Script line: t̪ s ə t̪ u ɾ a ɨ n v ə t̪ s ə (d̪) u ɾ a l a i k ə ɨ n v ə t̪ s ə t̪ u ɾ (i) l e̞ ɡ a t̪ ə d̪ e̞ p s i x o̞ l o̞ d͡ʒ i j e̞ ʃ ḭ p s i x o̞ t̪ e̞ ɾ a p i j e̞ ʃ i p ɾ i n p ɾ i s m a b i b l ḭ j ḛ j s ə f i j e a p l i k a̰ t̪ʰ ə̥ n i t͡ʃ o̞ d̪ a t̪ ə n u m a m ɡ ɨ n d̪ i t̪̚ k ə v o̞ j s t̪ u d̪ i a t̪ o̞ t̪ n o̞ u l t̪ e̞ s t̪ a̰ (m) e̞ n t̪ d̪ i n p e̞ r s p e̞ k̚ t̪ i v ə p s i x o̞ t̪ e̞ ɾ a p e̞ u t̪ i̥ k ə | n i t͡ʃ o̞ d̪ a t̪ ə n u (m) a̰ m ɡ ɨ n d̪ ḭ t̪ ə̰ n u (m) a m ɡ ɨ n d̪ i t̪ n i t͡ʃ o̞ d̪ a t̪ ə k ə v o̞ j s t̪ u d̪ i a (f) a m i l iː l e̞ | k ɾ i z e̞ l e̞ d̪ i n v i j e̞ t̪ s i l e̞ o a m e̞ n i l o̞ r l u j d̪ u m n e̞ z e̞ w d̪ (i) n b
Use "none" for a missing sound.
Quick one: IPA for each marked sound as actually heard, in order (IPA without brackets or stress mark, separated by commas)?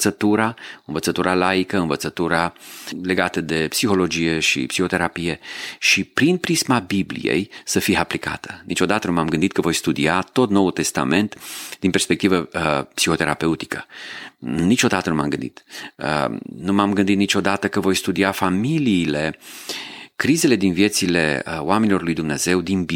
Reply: t̪, a, m, m, m, f, i